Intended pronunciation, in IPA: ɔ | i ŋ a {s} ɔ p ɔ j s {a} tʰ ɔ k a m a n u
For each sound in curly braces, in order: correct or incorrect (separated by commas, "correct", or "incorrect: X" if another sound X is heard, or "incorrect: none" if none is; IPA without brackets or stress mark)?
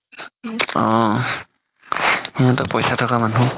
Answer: incorrect: t, correct